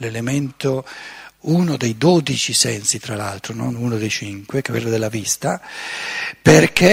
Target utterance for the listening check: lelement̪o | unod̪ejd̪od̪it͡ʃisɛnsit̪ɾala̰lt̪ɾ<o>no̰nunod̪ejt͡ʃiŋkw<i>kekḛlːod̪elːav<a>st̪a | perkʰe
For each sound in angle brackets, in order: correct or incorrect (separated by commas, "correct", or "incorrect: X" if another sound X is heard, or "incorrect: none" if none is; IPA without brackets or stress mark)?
correct, incorrect: e, incorrect: i